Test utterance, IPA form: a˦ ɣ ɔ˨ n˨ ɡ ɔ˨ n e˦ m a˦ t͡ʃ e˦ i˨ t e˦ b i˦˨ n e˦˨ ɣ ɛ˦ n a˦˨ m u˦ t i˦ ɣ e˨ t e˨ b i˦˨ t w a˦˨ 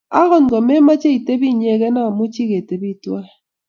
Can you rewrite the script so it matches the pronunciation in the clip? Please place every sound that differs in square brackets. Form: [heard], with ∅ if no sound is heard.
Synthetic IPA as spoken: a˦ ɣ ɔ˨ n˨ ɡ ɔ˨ [m] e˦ m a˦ t͡ʃ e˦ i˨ t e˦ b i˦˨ [ɲ] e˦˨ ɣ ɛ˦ n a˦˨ m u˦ [t͡ʃ] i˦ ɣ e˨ t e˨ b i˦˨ t w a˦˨